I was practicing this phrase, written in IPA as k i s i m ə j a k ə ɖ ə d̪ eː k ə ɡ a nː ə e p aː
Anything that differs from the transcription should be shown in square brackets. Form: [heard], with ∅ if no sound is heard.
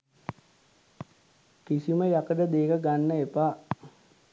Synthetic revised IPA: k i s i m ə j a k ə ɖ ə d̪ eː k ə ɡ a nː ə e p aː